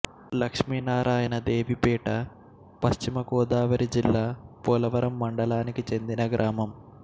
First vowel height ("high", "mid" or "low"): low